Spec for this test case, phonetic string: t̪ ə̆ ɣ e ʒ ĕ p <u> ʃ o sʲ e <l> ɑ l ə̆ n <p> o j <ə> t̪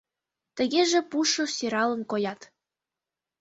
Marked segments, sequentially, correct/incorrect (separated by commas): correct, incorrect, incorrect, incorrect